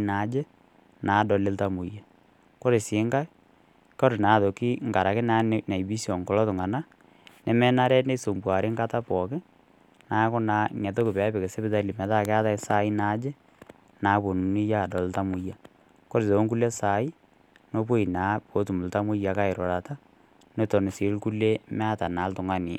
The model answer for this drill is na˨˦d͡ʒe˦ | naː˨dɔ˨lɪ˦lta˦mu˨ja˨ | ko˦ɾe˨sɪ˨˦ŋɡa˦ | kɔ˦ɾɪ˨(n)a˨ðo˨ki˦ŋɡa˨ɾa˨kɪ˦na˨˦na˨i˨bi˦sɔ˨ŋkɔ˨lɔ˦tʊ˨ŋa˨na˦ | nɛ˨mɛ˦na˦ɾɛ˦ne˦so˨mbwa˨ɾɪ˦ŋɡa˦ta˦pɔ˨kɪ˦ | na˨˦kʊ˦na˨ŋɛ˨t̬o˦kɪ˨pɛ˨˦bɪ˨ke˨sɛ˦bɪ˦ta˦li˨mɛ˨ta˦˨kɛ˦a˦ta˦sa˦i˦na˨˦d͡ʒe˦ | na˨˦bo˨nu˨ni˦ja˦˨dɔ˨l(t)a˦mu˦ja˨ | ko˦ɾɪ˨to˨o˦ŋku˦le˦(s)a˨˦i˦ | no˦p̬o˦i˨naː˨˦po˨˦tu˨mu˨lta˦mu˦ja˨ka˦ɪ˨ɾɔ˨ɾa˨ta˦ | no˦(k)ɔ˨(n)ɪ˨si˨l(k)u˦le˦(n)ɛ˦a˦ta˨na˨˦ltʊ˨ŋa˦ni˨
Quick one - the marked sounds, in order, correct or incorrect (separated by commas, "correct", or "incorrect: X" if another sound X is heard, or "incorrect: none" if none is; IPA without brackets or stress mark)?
correct, correct, correct, incorrect: t, correct, correct, incorrect: m